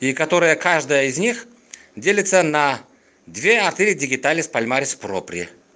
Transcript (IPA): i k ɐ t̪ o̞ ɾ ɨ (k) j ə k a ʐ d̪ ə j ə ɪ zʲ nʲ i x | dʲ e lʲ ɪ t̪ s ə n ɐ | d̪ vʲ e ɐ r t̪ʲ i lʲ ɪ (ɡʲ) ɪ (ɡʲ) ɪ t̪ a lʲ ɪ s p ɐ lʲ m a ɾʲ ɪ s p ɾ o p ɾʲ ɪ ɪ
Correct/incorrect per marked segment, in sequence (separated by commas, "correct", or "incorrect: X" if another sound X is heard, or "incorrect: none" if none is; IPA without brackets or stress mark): incorrect: none, incorrect: dʲ, correct